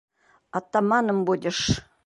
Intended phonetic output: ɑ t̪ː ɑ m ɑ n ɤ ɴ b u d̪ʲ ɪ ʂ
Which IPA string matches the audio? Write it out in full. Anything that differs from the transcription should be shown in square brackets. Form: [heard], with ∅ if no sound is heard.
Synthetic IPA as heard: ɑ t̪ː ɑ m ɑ n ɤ [m] b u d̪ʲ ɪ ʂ